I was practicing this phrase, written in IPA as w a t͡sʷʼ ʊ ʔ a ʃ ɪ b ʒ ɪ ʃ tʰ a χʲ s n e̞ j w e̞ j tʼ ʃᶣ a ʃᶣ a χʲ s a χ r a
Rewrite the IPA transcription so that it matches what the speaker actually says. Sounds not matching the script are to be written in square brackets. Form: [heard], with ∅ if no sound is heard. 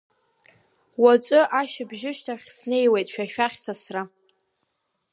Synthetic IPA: w a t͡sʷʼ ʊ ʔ a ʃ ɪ b ʒ ɪ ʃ tʰ a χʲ s n e̞ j w e̞ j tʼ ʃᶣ a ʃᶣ a χʲ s a [s] r a